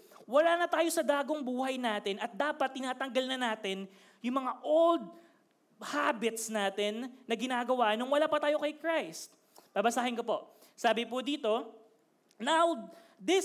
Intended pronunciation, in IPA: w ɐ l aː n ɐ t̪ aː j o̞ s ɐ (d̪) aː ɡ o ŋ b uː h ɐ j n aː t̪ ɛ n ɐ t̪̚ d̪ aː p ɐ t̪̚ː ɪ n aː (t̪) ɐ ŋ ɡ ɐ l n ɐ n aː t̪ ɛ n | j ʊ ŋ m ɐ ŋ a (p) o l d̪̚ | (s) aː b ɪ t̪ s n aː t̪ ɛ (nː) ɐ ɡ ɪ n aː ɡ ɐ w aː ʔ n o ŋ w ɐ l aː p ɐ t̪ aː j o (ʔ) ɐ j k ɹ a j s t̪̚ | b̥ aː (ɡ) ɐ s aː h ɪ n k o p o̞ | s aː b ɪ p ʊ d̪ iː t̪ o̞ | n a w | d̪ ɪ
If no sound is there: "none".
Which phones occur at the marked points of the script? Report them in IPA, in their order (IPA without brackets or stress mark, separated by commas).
d̪, t̪, ʔ, h, nː, k, b